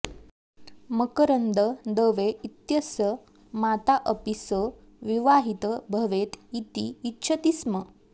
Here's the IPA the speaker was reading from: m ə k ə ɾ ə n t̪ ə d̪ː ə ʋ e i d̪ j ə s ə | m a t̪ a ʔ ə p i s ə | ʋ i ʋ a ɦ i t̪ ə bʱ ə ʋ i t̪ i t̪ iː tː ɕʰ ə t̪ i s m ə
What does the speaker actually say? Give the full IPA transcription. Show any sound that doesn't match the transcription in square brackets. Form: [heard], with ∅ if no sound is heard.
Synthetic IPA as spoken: m ə k ə ɾ ə n [d̪] ə [d̪] ə ʋ e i [t̪] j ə s ə | m a t̪ a ʔ ə p i s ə | ʋ i ʋ a ɦ i t̪ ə bʱ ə ʋ [e] t̪ i t̪ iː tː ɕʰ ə t̪ i s m ə